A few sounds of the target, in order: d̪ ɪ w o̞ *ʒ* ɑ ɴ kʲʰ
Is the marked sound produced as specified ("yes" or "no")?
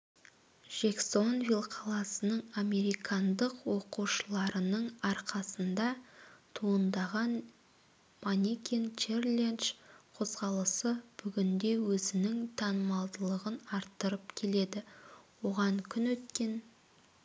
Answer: no